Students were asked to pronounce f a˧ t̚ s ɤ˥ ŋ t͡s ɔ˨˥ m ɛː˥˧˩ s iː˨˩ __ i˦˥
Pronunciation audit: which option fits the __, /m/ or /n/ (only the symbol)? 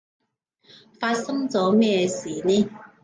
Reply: n